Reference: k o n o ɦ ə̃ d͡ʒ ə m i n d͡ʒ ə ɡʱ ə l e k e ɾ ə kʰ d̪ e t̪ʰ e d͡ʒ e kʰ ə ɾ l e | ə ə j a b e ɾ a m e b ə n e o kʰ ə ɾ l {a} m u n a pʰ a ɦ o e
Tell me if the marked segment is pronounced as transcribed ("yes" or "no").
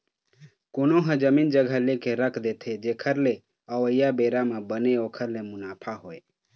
no